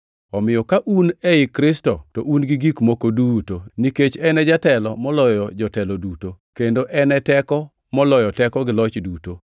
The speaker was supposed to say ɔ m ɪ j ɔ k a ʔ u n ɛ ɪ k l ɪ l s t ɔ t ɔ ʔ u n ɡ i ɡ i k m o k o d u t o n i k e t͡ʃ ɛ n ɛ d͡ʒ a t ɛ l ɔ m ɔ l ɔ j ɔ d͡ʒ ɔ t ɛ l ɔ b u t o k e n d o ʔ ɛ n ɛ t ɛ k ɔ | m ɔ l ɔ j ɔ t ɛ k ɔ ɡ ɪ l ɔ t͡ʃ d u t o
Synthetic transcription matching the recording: ɔ m ɪ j ɔ k a ʔ u n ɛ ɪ k ɾ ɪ s t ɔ t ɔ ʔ u n ɡ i ɡ i k m o k o d u t o n i k e t͡ʃ ɛ n ɛ d͡ʒ a t ɛ l ɔ m ɔ l ɔ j ɔ d͡ʒ ɔ t ɛ l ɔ d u t o k e n d o ʔ ɛ n ɛ t ɛ k ɔ | m ɔ l ɔ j ɔ t ɛ k ɔ ɡ ɪ l ɔ t͡ʃ d u t o